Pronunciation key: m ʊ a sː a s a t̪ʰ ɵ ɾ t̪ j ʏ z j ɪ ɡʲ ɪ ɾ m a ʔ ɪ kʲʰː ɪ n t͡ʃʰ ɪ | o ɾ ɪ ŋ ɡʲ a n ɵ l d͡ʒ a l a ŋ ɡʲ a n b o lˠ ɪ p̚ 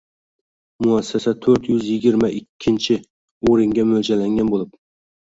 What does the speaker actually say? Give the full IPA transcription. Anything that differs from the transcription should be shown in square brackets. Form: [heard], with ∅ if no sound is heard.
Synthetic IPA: m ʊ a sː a s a t̪ʰ ɵ ɾ t̪ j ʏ z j ɪ ɡʲ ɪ ɾ m a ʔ ɪ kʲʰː ɪ n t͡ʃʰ ɪ | o ɾ ɪ ŋ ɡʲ a [m] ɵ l d͡ʒ a l a ŋ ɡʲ a n b o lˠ ɪ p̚